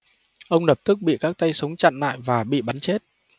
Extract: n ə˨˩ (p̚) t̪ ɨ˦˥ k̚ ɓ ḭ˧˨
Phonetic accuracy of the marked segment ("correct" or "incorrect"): correct